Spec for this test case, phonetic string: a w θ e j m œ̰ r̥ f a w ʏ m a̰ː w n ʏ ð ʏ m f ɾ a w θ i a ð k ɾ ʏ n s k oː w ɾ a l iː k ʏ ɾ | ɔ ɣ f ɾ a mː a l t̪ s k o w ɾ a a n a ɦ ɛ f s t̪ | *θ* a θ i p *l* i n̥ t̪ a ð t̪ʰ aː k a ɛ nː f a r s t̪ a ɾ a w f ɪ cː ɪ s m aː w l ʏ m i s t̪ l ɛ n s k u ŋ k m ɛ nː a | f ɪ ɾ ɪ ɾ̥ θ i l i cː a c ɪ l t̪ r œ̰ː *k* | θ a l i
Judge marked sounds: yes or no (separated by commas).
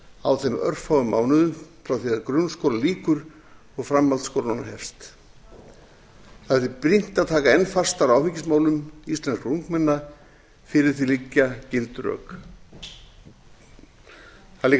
yes, no, yes